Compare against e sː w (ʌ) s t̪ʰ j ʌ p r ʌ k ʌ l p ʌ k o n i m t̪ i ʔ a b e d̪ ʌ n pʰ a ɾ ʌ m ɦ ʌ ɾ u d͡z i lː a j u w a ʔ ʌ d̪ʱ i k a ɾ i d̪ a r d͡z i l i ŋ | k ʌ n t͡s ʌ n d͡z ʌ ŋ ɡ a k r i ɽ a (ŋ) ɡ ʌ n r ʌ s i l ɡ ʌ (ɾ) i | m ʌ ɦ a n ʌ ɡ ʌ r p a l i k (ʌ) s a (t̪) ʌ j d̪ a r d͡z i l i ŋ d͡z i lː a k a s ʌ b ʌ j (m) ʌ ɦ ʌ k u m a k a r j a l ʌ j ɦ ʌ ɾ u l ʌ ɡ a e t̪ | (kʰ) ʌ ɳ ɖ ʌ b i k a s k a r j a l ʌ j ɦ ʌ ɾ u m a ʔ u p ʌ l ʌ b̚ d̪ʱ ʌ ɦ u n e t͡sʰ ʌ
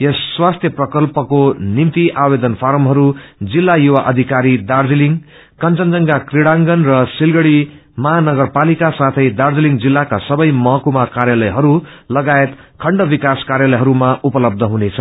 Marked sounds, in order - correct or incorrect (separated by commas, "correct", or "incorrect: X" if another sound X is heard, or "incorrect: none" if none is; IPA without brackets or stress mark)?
incorrect: a, correct, incorrect: ɽ, incorrect: a, incorrect: t̪ʰ, correct, correct